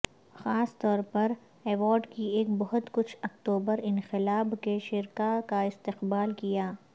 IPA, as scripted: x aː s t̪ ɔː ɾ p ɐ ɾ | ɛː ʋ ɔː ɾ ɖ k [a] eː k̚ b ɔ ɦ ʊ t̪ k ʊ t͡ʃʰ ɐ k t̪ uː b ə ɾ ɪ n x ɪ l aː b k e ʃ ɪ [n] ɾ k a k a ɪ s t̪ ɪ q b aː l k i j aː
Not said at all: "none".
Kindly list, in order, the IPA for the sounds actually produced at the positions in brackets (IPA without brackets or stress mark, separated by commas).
i, none